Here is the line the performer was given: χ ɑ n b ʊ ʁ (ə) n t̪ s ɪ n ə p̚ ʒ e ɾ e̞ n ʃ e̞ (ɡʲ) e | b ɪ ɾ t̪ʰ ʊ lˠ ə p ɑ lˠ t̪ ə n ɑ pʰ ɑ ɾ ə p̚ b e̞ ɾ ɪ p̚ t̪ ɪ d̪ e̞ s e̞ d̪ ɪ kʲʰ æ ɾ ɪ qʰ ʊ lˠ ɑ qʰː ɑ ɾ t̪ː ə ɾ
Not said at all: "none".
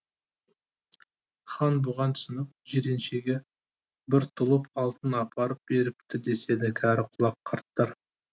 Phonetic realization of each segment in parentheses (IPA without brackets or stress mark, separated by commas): ɑ, ɡʲ